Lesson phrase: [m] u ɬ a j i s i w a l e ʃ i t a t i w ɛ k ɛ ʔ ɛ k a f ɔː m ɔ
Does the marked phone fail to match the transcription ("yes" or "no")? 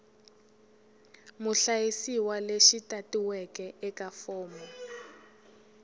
no